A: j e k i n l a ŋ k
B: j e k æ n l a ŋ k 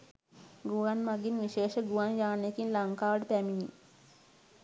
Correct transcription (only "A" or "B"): A